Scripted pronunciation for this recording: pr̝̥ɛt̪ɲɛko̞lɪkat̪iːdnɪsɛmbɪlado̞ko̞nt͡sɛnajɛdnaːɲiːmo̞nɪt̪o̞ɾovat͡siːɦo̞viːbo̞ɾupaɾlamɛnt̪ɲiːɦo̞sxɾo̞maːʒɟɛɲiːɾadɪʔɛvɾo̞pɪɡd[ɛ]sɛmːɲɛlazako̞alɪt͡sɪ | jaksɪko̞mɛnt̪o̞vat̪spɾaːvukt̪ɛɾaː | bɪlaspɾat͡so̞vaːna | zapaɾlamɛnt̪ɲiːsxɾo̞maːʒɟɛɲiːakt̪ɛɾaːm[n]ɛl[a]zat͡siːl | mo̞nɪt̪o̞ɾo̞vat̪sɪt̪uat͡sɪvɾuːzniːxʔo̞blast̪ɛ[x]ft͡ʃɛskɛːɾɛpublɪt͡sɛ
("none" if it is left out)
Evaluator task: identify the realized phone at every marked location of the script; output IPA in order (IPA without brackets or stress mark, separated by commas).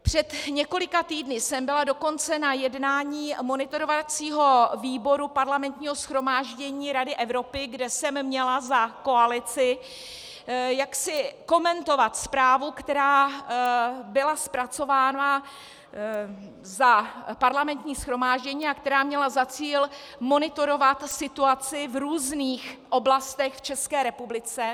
ɛ, ɲ, a, x